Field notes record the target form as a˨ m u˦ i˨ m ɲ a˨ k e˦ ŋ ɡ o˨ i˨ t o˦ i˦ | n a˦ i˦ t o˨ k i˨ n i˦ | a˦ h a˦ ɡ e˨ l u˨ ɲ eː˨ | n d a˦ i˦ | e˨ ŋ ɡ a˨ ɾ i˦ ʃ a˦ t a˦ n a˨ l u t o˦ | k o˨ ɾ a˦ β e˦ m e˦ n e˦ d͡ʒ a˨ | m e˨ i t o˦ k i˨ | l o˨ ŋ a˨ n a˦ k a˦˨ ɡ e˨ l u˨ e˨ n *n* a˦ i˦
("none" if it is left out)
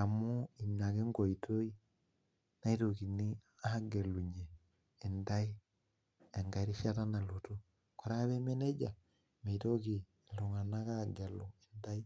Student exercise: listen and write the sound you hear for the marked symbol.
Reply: d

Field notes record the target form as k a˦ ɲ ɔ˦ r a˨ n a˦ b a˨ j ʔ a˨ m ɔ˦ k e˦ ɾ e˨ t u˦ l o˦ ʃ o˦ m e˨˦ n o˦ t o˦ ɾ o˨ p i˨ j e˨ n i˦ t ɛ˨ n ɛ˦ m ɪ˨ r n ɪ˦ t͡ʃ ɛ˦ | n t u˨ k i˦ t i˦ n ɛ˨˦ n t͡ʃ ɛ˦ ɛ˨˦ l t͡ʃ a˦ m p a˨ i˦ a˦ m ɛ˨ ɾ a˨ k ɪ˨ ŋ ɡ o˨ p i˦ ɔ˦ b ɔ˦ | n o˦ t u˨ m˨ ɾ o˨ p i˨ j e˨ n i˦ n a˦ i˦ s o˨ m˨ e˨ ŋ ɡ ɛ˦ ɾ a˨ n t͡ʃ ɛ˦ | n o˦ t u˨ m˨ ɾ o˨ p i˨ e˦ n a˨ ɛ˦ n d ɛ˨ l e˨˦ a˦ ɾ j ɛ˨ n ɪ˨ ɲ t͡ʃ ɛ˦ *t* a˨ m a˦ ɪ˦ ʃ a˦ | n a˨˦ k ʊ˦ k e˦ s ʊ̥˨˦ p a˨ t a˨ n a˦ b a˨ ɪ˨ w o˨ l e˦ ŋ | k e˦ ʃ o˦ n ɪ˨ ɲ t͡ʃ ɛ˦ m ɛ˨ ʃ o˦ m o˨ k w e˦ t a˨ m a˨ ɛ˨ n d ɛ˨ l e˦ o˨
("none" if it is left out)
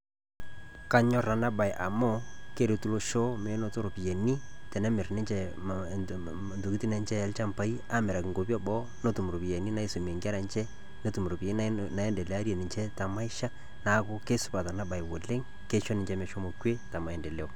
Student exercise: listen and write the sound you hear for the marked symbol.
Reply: t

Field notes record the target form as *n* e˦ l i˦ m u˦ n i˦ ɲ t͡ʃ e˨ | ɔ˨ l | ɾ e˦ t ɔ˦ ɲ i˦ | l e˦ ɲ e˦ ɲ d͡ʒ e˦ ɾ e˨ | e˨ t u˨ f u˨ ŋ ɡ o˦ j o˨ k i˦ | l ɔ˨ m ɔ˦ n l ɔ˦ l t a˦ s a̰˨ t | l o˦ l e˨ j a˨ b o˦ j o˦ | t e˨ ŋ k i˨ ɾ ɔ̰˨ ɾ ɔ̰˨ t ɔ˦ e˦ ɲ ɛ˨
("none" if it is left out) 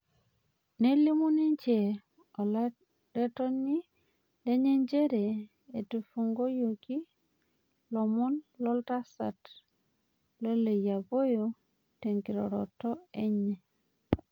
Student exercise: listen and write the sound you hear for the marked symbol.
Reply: n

